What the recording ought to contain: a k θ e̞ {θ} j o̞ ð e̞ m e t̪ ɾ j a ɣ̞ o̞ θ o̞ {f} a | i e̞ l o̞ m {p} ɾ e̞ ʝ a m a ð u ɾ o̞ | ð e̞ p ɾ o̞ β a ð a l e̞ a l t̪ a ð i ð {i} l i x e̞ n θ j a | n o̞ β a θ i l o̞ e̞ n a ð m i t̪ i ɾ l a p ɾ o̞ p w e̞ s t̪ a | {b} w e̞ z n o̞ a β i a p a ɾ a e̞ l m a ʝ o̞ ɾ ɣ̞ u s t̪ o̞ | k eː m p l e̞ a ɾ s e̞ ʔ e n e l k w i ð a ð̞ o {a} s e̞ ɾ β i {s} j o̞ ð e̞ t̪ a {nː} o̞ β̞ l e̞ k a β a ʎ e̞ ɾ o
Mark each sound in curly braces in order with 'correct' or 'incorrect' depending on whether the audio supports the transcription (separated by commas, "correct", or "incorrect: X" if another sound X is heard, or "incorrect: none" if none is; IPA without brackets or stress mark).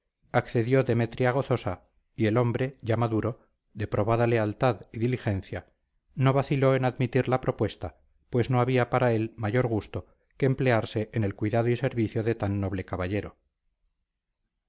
incorrect: ð, incorrect: s, incorrect: b, correct, incorrect: p, incorrect: i, incorrect: θ, correct